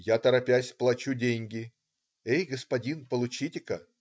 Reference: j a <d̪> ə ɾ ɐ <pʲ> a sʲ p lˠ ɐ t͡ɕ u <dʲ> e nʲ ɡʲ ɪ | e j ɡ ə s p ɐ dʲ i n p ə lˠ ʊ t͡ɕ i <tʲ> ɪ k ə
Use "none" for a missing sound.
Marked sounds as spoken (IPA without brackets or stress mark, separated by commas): t̪, pʲ, dʲ, tʲ